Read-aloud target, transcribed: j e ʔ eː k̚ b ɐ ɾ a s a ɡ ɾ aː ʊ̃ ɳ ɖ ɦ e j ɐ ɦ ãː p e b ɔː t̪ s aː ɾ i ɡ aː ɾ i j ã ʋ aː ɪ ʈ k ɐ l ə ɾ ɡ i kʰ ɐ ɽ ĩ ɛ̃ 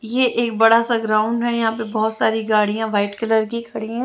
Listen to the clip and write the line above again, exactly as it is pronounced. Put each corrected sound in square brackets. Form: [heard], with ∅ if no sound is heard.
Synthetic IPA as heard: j e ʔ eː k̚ b ɐ [ɽ] a s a ɡ ɾ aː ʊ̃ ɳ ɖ ɦ [ɛ] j ɐ ɦ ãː p e b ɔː t̪ s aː ɾ i ɡ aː [ɽ] i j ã ʋ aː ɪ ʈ k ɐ l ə ɾ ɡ i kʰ ɐ ɽ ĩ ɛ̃